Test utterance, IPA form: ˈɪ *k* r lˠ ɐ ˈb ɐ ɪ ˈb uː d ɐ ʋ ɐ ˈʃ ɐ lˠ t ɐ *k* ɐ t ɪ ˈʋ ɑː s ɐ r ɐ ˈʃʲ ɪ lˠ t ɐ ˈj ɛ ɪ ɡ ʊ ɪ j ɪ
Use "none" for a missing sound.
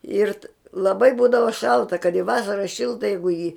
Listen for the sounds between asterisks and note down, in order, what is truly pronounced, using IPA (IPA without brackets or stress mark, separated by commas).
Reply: none, k